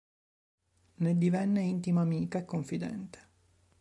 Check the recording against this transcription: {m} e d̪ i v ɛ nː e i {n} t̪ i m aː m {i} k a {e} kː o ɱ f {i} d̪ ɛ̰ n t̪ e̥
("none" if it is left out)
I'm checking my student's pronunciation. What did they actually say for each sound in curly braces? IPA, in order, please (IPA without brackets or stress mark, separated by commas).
n, n, iː, e, i